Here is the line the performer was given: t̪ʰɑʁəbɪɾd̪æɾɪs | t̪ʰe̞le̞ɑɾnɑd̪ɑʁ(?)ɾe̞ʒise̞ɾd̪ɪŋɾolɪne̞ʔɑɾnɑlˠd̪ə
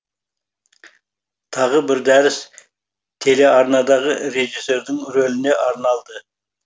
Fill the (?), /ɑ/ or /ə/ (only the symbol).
ə